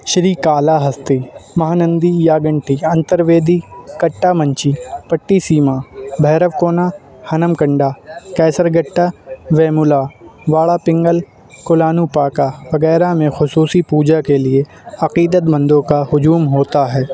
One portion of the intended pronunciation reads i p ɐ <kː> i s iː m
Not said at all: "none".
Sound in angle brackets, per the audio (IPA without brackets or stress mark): ʈː